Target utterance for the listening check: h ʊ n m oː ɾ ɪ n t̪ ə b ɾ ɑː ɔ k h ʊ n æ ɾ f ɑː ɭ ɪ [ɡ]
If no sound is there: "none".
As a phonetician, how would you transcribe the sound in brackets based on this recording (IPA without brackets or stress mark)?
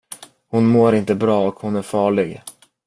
ɡ